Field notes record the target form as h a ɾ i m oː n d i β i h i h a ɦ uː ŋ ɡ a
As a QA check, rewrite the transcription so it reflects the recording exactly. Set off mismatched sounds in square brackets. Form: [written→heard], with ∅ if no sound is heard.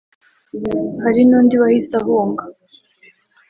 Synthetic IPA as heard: h a ɾ i [m→n] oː n d i β [i→a] h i [h→s] a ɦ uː ŋ ɡ a